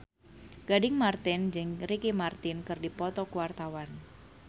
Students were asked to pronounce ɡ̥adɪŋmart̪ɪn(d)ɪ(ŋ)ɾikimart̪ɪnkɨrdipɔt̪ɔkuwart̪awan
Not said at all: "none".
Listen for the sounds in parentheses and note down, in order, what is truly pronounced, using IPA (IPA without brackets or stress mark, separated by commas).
d͡ʒ, ŋ